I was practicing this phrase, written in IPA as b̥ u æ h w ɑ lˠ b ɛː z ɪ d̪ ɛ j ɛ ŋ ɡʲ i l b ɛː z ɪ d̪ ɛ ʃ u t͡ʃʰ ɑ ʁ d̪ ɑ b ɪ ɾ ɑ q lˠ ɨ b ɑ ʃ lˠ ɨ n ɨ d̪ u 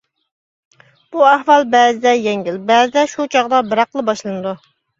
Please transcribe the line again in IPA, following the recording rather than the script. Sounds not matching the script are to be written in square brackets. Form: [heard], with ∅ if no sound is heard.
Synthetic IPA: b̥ u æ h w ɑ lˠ b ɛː z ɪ d̪ ɛ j ɛ ŋ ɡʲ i l b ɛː z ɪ d̪ ɛ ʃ u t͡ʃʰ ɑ ʁ d̪ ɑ b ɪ ɾ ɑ q lˠ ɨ b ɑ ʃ lˠ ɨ n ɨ d̪ u